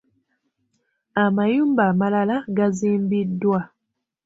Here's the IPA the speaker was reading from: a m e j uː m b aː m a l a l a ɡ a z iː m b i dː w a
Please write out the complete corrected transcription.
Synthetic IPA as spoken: a m a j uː m b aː m a l a l a ɡ a z iː m b i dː w a